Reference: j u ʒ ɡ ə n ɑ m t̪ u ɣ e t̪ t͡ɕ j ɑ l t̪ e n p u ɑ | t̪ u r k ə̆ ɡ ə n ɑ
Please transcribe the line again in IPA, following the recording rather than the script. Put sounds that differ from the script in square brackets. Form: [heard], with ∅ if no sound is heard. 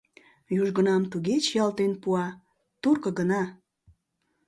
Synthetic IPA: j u ʒ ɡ ə n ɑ m t̪ u ɣ e [∅] t͡ɕ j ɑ l t̪ e n p u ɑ | t̪ u r k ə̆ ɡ ə n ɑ